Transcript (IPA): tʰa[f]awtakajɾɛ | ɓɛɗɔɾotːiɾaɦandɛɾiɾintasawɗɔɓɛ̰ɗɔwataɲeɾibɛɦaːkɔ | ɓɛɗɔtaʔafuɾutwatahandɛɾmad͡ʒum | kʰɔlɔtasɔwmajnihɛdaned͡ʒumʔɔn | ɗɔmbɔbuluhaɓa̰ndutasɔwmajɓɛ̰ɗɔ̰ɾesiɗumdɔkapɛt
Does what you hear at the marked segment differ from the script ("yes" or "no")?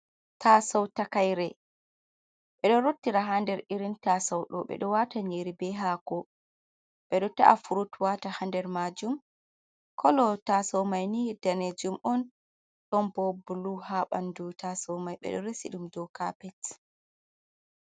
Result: yes